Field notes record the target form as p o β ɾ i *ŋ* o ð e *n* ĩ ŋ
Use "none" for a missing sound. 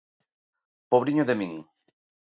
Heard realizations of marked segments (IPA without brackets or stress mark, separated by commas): ɲ, m